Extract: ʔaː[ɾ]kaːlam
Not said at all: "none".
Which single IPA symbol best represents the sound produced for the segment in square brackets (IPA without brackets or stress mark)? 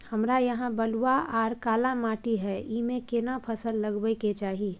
ɾ